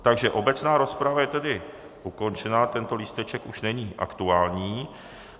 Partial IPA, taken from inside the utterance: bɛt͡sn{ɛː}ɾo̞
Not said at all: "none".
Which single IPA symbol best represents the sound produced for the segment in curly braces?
aː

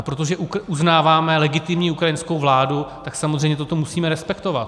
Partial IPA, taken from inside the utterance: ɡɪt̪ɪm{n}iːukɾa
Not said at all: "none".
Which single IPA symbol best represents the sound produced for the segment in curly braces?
ɲ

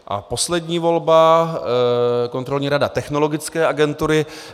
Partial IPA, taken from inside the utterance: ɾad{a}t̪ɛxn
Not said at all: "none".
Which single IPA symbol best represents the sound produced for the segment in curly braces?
a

